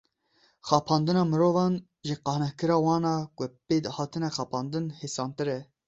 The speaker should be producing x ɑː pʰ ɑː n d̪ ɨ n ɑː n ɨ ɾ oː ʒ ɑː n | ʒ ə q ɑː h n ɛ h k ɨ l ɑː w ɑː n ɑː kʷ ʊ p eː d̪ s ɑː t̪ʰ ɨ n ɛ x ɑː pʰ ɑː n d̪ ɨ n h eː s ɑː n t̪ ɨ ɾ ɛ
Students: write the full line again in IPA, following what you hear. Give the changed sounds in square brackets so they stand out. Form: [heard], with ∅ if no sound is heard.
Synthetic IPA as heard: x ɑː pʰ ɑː n d̪ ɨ n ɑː [m] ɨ ɾ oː [v] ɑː n | ʒ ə q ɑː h n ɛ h k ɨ [ɾ] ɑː w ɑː n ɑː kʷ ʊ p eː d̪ [h] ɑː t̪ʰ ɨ n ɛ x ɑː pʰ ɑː n d̪ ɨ n h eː s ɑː n t̪ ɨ ɾ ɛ